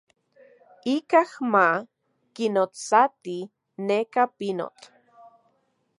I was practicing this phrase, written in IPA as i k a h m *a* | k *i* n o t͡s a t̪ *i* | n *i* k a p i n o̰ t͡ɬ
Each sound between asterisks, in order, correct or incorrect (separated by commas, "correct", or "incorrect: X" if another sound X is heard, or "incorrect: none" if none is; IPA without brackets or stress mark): correct, correct, correct, incorrect: e